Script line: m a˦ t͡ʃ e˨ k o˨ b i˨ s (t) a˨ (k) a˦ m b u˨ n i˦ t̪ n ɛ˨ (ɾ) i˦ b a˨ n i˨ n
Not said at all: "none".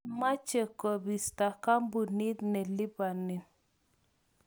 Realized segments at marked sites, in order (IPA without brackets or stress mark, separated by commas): t, k, l